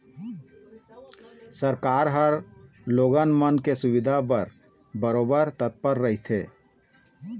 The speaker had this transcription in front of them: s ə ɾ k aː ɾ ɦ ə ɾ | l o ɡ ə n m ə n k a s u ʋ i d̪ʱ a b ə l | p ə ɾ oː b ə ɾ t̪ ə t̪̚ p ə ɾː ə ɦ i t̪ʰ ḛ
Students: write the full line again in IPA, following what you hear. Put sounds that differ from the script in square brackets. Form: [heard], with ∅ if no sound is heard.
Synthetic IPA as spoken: s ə ɾ k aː ɾ ɦ ə ɾ | l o ɡ ə n m ə n k [e] s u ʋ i d̪ʱ a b ə [ɾ] | [b] ə ɾ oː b ə ɾ t̪ ə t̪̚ p ə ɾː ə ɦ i t̪ʰ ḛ